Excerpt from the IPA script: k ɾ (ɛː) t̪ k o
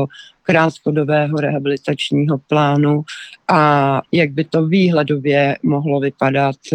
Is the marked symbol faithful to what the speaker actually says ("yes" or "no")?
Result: no